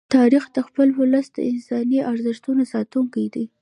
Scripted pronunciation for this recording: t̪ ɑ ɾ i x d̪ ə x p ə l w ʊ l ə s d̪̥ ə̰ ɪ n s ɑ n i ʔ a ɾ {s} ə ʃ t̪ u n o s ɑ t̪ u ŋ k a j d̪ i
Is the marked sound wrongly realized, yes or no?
yes